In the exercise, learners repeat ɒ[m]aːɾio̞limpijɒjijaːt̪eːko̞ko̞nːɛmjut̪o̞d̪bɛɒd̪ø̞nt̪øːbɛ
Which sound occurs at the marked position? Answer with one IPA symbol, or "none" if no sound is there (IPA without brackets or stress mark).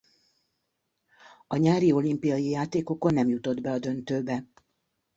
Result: ɲ